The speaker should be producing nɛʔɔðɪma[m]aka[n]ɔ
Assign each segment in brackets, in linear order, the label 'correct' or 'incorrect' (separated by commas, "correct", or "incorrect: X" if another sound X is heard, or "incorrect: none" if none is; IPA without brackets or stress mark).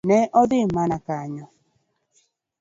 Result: incorrect: n, incorrect: ɲ